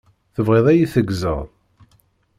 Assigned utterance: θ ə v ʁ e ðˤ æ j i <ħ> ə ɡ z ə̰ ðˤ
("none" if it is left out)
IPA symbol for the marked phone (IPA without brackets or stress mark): θ